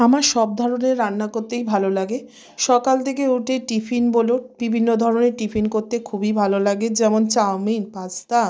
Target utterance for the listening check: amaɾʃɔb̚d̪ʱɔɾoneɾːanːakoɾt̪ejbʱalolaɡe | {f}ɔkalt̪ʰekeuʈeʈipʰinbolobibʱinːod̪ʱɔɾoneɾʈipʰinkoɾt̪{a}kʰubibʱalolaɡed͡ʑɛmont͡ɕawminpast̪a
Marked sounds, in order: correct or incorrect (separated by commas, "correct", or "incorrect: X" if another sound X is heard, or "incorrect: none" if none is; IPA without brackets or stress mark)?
incorrect: ʃ, incorrect: e